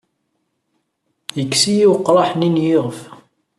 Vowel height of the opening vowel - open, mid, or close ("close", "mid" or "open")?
mid